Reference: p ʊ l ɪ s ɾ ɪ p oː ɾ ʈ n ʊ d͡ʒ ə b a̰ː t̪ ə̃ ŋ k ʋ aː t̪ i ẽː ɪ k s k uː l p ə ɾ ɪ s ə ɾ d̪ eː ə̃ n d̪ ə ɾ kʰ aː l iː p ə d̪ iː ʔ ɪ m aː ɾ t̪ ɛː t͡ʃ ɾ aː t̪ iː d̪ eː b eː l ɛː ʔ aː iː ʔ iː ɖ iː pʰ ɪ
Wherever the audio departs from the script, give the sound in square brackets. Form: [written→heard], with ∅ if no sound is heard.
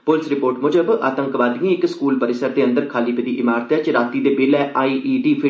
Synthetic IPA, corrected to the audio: p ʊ l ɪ s ɾ ɪ p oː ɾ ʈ [n→m] ʊ d͡ʒ ə b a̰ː t̪ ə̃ ŋ k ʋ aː [t̪→d̪] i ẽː ɪ k s k uː l p ə ɾ ɪ s ə ɾ d̪ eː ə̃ n d̪ ə ɾ kʰ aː l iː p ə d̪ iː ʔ ɪ m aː ɾ t̪ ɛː t͡ʃ ɾ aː t̪ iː d̪ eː b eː l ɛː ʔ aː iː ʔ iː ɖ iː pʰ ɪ